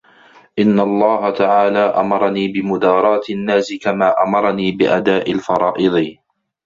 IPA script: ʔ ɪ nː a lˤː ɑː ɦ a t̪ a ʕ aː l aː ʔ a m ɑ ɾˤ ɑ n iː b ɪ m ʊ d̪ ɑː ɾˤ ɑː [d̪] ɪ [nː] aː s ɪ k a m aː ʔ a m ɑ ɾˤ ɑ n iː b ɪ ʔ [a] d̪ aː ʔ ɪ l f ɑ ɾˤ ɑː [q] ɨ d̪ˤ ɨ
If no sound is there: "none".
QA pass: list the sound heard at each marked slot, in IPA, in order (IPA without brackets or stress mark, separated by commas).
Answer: t̪, nː, a, ʔ